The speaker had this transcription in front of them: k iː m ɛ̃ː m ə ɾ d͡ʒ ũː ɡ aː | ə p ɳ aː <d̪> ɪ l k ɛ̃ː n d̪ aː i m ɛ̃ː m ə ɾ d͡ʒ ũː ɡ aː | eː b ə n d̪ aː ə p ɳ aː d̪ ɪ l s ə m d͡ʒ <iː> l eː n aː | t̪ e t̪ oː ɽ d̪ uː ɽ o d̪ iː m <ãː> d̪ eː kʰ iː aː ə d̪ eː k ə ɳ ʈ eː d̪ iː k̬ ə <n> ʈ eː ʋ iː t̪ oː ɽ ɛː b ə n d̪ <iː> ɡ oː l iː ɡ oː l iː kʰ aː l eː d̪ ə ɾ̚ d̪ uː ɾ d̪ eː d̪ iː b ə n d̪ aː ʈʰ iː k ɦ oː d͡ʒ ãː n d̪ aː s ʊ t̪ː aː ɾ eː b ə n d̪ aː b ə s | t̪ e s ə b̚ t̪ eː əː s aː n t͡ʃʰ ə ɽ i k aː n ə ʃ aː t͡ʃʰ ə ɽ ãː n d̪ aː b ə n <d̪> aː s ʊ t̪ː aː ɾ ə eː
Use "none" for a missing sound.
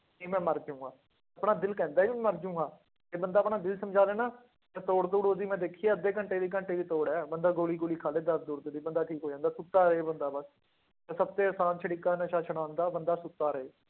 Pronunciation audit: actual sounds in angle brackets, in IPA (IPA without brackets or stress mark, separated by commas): d̪, aː, ɛ̃ː, ɳ, aː, d̪